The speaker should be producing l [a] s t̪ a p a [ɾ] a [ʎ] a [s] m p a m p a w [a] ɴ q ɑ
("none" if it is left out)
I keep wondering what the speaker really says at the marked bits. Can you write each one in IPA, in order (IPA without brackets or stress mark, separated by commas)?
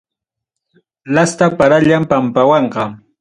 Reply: a, ɾ, ʎ, none, ɑ